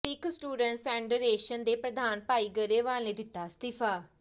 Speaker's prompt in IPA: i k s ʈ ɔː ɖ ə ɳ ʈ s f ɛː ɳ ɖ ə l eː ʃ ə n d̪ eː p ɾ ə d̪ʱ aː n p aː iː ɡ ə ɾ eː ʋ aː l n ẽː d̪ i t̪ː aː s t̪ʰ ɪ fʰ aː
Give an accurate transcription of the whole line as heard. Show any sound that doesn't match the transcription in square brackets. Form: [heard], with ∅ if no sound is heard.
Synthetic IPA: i k s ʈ [uː] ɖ ə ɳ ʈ s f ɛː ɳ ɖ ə [ɾ] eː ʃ ə n d̪ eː p ɾ ə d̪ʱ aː n p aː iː ɡ ə ɾ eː ʋ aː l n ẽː d̪ [ɪ] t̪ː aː s [t̪] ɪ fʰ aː